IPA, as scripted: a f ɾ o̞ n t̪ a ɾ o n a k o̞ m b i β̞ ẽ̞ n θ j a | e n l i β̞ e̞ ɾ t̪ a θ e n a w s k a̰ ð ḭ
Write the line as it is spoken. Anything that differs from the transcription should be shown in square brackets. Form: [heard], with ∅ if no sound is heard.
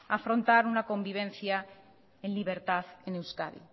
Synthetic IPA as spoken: a f ɾ o̞ n t̪ a ɾ [u] n a k o̞ m b i β̞ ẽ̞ n θ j a | e n l i β̞ e̞ ɾ t̪ a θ e n [e] w s k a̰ ð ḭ

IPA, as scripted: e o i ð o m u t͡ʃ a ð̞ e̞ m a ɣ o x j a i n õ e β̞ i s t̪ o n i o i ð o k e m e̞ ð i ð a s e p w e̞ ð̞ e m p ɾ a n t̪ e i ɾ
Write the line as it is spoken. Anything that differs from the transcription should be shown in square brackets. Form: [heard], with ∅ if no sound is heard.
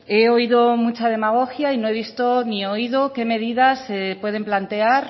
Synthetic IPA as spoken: e o i ð o m u t͡ʃ a ð̞ e̞ m a ɣ o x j a i n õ e β̞ i s t̪ o n i o i ð o k e m e̞ ð i ð a s e p w e̞ ð̞ e m p [l] a n t̪ e [a] ɾ

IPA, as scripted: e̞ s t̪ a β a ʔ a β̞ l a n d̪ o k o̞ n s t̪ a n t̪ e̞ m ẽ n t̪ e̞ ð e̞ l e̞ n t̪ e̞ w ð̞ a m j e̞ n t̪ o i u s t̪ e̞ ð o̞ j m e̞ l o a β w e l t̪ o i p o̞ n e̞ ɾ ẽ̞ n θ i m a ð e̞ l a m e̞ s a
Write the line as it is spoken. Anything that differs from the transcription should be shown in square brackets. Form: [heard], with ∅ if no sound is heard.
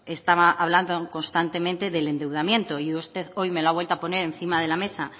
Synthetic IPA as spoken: e̞ s t̪ a β a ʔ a β̞ l a n d̪ o k o̞ n s t̪ a n t̪ e̞ m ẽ n t̪ e̞ ð e̞ l e̞ n [d̪] e̞ w ð̞ a m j e̞ n t̪ o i u s t̪ e̞ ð o̞ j m e̞ l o a β w e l t̪ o [a] p o̞ n e̞ ɾ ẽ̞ n θ i m a ð e̞ l a m e̞ s a

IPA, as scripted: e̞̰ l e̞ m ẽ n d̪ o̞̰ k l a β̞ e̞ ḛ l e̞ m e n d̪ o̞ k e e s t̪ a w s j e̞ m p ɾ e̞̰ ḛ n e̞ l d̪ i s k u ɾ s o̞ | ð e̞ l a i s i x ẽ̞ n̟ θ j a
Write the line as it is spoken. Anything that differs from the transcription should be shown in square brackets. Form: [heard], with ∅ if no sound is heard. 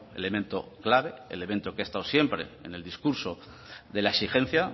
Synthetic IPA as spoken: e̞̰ l e̞ m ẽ n [t̪] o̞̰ k l a β̞ e̞ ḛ l e̞ m e n [t̪] o̞ k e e s t̪ a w s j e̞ m p ɾ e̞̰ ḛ n e̞ l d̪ i s k u ɾ s o̞ | ð e̞ l a [e] s i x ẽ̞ n̟ θ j a

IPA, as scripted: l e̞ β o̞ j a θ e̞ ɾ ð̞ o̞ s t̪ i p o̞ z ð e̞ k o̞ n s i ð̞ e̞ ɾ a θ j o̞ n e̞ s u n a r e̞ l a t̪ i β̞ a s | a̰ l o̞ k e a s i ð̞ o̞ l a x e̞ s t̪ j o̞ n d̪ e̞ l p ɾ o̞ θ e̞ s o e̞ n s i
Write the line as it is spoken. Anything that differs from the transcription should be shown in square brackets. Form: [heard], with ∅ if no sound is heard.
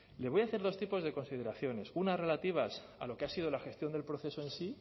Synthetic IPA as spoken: l e̞ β o̞ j a θ e̞ ɾ ð̞ o̞ s t̪ i p o̞ z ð e̞ k o̞ n s i ð̞ e̞ ɾ a θ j o̞ n e̞ s u n a r e̞ l a t̪ i β̞ a s | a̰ l o̞ k e a s i ð̞ o̞ l a x e̞ s t̪ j o̞ n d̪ e̞ l p ɾ o̞ θ e̞ s o e̞ n s i

